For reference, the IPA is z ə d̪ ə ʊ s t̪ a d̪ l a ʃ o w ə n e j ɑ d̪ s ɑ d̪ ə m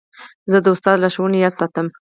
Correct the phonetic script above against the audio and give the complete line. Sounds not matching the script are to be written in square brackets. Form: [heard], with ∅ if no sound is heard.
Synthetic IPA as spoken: z ə d̪ ə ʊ s t̪ [ɑ] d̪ l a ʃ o w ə n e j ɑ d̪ s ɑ [t̪] ə m